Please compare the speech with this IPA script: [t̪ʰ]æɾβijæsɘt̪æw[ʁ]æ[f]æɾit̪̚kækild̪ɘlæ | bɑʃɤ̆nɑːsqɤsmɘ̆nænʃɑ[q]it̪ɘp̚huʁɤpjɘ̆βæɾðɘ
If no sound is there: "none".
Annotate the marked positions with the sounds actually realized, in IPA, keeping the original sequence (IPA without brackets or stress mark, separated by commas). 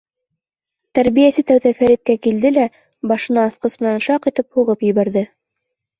t̪, ð, f, q